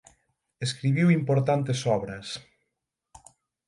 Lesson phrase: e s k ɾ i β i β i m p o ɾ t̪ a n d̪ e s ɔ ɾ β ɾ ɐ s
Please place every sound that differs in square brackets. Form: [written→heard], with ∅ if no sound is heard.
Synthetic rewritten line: e s k ɾ i β i [β→w] i m p o ɾ t̪ a n [d̪→t̪] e s ɔ [ɾ→∅] β ɾ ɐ s